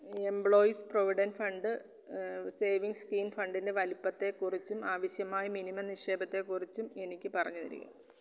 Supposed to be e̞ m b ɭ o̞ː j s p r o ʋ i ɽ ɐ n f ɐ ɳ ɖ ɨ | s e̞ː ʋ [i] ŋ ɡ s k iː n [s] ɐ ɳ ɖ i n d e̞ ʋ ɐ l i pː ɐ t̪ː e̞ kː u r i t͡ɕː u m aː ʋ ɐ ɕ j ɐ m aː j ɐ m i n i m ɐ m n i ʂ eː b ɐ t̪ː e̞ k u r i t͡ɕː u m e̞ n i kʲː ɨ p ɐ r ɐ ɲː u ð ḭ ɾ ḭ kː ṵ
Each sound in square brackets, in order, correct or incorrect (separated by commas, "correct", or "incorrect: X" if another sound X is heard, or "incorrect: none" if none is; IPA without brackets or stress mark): correct, incorrect: f